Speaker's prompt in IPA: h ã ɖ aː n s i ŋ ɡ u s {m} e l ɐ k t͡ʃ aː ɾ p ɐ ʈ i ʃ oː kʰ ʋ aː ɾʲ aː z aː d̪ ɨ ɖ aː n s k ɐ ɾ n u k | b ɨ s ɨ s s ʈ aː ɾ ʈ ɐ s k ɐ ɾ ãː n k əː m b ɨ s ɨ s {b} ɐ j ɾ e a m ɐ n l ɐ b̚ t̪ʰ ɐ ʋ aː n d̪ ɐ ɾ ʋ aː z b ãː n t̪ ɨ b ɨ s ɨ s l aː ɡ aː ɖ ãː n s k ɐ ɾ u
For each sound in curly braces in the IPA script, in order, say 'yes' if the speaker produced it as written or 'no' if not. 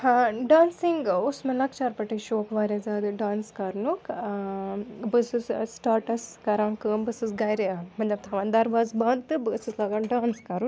yes, no

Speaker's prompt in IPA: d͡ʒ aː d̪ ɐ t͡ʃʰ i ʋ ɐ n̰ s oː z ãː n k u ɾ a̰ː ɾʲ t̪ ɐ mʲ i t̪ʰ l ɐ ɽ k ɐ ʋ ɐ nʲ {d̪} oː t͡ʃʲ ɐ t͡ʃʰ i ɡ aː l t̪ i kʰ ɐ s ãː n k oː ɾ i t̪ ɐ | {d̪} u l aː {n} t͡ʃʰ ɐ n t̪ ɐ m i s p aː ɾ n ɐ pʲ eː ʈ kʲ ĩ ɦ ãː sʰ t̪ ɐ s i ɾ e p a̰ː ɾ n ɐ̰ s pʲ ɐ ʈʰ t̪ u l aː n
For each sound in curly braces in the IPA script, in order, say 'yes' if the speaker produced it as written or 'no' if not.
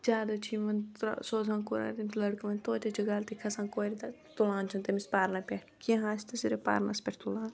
no, no, yes

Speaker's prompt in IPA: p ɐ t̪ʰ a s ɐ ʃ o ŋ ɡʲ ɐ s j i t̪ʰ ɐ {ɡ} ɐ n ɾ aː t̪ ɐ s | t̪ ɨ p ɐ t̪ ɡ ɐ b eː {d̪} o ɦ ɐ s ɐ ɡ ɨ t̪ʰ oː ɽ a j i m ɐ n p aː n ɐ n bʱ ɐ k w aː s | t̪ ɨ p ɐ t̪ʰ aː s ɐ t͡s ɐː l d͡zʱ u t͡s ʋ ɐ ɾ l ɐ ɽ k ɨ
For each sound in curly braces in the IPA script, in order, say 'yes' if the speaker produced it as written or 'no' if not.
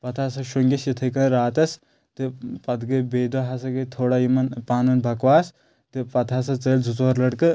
no, yes

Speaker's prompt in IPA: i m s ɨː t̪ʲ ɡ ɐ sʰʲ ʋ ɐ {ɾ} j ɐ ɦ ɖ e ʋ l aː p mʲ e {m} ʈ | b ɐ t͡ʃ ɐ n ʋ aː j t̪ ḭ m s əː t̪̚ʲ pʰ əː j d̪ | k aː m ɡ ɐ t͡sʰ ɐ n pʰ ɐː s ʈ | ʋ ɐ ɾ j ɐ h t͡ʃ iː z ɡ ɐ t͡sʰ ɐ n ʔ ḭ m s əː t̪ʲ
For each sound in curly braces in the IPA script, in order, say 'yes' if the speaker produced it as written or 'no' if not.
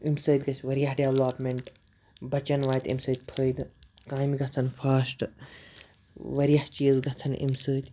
yes, no

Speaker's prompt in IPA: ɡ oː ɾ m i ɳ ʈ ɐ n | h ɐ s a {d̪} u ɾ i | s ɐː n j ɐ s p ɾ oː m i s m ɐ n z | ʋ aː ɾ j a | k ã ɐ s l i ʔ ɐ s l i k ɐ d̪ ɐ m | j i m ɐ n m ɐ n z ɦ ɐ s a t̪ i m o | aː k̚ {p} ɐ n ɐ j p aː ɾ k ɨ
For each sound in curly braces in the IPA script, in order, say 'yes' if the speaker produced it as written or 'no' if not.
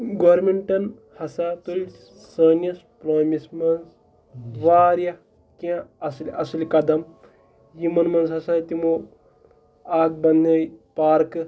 no, no

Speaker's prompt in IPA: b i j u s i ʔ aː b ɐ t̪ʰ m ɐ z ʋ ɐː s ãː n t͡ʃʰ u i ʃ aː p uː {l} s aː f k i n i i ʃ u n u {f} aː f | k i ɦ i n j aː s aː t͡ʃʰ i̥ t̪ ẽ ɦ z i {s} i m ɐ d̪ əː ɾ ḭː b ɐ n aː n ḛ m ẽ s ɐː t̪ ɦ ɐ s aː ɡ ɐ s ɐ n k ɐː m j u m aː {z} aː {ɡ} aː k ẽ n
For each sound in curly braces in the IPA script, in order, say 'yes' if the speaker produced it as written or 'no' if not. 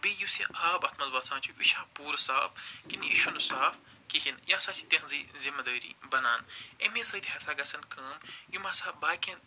no, no, no, no, no

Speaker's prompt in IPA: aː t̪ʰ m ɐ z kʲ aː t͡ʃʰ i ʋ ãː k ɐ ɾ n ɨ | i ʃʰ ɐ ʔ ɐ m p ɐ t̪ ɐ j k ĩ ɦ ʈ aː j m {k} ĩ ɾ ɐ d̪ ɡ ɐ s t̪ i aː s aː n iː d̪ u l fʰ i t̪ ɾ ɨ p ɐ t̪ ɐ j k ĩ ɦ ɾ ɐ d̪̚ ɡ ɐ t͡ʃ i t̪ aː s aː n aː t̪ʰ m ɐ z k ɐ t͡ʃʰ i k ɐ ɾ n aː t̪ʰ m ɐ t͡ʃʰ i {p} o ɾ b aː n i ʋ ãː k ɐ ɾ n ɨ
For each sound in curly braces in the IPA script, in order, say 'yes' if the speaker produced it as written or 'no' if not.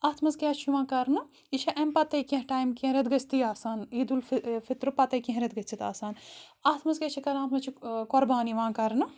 yes, no

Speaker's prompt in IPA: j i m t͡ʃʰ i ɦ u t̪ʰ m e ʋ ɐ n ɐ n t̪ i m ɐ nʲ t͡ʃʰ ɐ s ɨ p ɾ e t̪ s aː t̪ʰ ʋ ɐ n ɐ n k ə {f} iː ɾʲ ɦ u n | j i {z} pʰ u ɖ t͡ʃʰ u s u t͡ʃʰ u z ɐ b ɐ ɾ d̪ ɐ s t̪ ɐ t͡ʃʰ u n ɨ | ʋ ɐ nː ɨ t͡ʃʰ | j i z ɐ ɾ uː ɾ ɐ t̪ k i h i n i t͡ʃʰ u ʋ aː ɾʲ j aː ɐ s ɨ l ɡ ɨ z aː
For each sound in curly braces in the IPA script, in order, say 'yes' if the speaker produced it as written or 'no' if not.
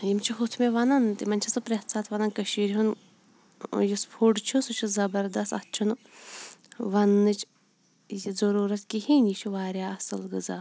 no, no

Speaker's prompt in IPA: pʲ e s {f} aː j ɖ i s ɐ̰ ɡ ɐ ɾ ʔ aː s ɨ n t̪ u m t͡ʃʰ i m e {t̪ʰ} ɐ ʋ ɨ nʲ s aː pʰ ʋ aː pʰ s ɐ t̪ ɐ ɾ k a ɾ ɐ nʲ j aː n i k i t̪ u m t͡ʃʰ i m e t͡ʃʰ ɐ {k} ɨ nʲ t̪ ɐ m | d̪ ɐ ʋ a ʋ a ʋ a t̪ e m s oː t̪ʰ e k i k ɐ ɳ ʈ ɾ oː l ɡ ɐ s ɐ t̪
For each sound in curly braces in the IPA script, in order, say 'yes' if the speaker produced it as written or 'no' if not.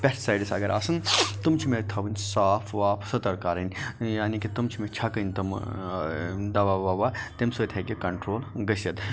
no, yes, yes

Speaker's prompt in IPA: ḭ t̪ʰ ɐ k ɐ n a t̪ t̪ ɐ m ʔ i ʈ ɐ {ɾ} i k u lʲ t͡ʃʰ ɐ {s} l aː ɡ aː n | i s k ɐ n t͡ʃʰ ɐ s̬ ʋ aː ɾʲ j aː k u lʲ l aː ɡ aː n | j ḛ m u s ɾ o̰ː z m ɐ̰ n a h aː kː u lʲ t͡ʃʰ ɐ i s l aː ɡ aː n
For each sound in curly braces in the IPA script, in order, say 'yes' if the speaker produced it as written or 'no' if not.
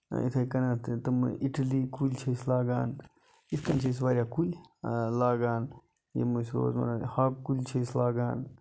no, yes

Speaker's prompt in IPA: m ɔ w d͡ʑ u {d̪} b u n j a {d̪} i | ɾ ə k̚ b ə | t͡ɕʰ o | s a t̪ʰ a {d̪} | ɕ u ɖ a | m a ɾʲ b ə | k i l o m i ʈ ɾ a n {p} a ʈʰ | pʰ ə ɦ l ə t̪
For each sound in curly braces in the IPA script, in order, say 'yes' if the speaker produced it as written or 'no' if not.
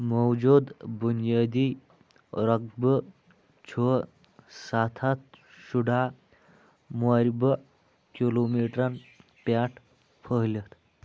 yes, yes, no, yes

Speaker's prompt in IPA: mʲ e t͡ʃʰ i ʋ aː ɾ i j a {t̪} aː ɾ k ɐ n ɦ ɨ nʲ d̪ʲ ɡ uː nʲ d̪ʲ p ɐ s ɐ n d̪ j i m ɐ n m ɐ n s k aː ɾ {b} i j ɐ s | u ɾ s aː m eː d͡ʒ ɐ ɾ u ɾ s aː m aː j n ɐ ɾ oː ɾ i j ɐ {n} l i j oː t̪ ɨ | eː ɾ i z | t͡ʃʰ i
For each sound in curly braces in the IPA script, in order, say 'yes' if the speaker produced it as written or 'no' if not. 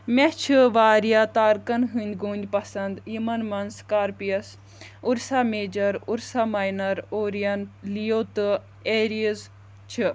yes, no, yes

